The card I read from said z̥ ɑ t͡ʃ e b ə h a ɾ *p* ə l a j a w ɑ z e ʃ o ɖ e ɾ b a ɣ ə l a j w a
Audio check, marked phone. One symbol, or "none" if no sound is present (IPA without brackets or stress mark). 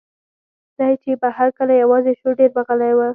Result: k